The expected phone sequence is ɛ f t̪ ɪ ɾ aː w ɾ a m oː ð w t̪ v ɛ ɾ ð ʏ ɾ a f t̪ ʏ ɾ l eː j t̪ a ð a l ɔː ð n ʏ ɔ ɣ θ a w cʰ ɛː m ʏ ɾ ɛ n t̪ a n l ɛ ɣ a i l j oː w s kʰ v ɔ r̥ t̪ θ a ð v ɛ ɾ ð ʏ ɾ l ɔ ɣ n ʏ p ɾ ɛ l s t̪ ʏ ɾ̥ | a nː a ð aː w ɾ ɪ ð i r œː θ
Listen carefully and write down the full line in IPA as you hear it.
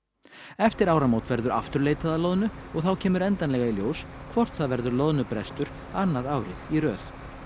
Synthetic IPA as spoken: ɛ f t̪ ɪ ɾ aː w ɾ a m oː w t̪ v ɛ ɾ ð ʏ ɾ a f t̪ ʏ ɾ l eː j t̪ a ð a l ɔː ð n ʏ ɔ ɣ θ a w cʰ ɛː m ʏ ɾ ɛ n t̪ a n l ɛ ɣ a i l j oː w s kʰ v ɔ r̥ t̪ θ a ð v ɛ ɾ ð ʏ ɾ l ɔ ð n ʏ p ɾ ɛ s t̪ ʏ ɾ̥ | a nː a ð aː w ɾ ɪ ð i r œː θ

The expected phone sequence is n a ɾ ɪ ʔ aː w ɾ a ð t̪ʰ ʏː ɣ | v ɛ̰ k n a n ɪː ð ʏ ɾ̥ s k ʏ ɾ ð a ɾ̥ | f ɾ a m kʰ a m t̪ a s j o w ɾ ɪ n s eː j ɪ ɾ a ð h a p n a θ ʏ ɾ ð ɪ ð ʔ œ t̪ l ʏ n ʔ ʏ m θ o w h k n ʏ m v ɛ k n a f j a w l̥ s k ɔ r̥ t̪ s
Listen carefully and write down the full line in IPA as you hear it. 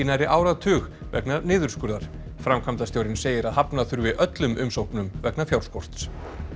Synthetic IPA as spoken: n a ɾ ɪ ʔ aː w ɾ a ð t̪ʰ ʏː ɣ | v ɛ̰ k n a n ɪː ð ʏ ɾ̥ s k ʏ ɾ ð a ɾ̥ | f ɾ a m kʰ a m t̪ a s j o w ɾ ɪ n s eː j ɪ ɾ a ð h a p n a θ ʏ ɾ v ɪ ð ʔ œ t̪ l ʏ m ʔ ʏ m s o w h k n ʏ m v ɛ k n a f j a w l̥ s k ɔ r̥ t̪ s

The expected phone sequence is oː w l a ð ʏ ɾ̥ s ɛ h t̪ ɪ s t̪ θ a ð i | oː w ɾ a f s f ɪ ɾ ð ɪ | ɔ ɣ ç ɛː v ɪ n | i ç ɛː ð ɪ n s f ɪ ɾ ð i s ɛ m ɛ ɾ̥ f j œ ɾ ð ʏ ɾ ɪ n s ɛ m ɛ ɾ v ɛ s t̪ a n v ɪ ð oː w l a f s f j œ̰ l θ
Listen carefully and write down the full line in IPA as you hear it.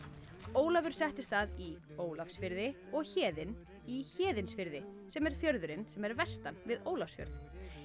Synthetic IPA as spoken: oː w l a v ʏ ɾ̥ s ɛ h t̪ ɪ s t̪ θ a ð i | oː w l a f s f ɪ ɾ ð ɪ | ɔ ɣ ç ɛː ð ɪ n | i ç ɛː ð ɪ n s f ɪ ɾ ð ɪ s ɛ m ɛ ɾ̥ f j œ ɾ ð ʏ ɾ ɪ n s ɛ m ɛ ɾ v ɛ s t̪ a n v ɪ ð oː w l a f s f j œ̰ ɾ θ

